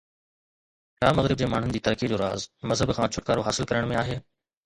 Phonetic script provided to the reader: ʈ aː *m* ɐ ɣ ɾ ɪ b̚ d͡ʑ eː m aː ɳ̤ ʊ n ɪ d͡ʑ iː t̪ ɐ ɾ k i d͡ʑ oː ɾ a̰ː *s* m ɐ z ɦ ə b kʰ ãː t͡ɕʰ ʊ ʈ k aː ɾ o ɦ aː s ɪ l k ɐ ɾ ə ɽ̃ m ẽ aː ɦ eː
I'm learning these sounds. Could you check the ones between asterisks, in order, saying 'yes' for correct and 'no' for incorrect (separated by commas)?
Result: yes, no